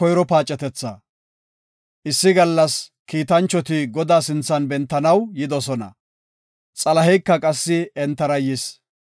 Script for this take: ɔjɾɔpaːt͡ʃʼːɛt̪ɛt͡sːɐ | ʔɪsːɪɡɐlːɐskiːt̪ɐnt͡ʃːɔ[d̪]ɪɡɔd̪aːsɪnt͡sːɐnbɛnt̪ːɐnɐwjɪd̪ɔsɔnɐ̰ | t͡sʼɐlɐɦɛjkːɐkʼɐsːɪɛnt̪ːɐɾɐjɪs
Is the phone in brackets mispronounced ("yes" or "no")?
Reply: yes